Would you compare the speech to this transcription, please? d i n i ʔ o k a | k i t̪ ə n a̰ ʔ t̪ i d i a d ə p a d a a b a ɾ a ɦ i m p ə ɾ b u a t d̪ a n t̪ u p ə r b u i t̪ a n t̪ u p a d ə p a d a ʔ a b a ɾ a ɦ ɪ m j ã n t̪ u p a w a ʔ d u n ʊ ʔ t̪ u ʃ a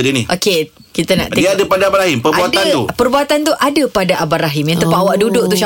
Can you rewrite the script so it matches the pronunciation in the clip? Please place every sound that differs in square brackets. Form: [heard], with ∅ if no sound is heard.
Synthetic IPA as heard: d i n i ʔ o k [e] | k i t̪ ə n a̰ ʔ t̪ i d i a d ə p a d a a b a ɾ a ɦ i m p ə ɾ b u a t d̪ a n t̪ u p ə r b u [a] t̪ a n t̪ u [ʔ] a d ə p a d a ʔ a b a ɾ a ɦ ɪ m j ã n t̪ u p a w a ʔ d u [d] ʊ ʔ t̪ u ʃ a